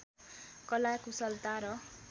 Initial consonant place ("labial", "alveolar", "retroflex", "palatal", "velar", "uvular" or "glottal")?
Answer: velar